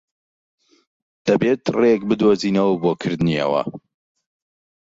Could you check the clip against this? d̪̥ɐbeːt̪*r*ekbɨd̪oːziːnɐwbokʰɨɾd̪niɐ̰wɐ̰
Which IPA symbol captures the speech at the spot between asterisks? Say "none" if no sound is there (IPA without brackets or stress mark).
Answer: r